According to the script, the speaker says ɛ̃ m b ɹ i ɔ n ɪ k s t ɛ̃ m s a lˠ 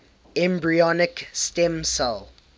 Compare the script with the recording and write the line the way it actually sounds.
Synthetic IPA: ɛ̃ m b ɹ i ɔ n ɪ k s t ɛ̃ m s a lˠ